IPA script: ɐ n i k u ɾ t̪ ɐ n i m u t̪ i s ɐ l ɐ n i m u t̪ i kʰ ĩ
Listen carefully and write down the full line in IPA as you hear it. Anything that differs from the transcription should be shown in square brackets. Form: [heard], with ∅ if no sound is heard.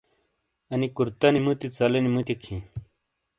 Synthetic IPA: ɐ n i k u ɾ t̪ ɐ n i m u t̪ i [t͡s] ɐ l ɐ n i m u t̪ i kʰ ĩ